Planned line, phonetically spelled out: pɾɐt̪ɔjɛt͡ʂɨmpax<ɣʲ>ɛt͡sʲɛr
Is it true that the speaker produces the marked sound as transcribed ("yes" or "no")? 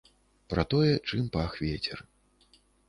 no